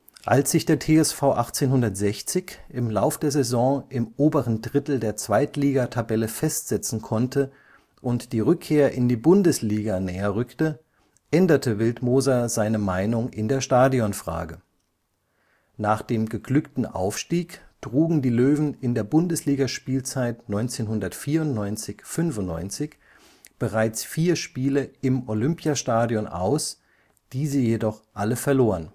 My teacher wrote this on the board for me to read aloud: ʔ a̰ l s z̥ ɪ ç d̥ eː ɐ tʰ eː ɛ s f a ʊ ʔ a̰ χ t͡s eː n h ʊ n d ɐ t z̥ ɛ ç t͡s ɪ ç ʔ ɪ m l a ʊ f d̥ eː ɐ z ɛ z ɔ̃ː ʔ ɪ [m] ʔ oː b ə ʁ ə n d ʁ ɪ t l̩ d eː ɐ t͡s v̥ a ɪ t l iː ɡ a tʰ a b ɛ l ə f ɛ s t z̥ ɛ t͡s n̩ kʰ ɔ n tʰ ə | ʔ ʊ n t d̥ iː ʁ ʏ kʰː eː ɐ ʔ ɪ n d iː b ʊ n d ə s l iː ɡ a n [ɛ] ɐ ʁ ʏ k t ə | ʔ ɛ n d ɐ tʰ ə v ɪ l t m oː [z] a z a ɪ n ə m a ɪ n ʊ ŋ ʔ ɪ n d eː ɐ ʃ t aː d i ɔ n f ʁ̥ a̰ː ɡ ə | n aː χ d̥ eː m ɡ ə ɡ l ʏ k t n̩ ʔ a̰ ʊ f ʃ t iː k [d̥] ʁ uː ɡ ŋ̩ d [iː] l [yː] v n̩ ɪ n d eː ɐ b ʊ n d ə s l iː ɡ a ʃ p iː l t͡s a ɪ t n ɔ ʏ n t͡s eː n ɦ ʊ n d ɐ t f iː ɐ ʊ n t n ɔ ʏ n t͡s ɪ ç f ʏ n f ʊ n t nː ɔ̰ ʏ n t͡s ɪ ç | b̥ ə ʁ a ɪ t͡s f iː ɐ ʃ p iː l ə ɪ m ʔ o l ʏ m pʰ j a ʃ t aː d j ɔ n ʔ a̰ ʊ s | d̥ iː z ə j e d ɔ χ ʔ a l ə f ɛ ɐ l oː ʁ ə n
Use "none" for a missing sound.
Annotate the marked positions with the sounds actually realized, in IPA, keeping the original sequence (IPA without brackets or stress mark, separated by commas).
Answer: m, ɛː, z, d̥, iː, øː